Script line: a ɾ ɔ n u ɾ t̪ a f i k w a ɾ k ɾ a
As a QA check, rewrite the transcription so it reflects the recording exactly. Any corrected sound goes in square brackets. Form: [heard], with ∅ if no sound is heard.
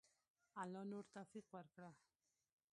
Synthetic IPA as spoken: a [l] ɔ n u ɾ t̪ a f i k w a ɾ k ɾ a